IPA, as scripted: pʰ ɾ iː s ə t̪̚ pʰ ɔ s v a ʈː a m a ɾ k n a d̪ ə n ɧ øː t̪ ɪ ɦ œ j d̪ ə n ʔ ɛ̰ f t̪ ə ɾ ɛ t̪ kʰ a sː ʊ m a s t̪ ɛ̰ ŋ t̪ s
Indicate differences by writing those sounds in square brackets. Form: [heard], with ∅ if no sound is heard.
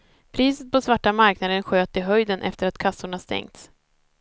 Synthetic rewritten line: pʰ ɾ iː s ə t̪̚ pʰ ɔ s v a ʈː a m a ɾ k n a d̪ ə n ɧ øː t̪ ɪ ɦ œ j d̪ ə n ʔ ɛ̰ f t̪ ə ɾ [a] t̪ kʰ a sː ʊ [ɳ] a s t̪ ɛ̰ ŋ t̪ s